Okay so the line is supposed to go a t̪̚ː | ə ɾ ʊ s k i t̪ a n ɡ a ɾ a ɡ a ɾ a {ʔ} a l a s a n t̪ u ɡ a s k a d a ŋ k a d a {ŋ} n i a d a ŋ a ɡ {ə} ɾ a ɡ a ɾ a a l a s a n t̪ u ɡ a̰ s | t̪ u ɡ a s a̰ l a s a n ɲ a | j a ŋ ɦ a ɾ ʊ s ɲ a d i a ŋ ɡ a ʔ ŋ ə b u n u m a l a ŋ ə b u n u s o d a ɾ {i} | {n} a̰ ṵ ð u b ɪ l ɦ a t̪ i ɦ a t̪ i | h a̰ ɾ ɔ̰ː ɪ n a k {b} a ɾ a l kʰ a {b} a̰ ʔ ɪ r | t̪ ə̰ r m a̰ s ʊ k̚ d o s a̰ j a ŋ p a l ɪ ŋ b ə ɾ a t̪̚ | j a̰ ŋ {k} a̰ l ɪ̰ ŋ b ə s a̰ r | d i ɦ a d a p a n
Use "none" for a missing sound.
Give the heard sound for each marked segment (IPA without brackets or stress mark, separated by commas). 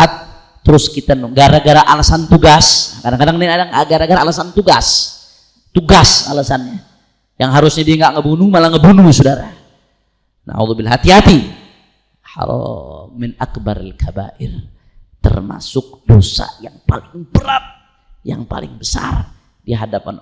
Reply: ʔ, ŋ, a, a, n, b, b, p